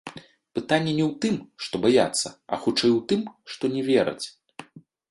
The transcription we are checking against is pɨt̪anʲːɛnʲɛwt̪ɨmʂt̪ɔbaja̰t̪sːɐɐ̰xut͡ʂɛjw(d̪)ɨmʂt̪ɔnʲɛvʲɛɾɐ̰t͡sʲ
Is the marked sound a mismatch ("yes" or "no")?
yes